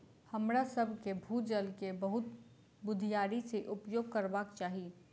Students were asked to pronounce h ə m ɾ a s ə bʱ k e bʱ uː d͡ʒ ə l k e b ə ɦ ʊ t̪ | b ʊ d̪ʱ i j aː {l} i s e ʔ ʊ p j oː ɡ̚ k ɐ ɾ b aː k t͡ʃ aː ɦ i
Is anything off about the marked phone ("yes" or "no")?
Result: yes